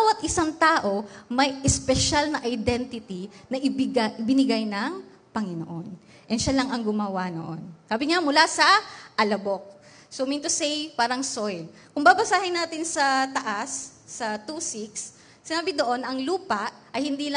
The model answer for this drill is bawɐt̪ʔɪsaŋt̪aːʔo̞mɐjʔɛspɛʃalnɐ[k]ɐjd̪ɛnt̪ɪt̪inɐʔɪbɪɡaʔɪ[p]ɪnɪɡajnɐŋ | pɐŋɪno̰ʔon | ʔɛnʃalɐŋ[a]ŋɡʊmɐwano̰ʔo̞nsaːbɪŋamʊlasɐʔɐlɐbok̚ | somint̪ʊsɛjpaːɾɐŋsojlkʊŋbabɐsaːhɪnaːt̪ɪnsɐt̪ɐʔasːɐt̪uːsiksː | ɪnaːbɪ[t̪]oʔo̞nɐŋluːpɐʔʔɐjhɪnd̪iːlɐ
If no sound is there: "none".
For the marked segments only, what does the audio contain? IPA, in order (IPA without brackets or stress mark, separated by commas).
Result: ʔ, b, ɐ, d̪